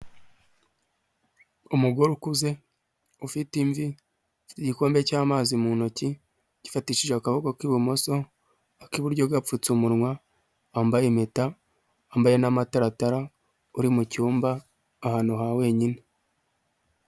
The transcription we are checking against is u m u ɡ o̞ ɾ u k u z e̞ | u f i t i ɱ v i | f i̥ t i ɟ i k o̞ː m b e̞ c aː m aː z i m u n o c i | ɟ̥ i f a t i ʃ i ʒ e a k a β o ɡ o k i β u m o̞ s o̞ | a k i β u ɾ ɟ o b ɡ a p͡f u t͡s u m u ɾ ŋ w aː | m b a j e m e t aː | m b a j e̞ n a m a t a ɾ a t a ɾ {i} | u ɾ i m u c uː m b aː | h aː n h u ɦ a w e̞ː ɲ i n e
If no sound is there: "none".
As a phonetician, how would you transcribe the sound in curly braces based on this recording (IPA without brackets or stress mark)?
a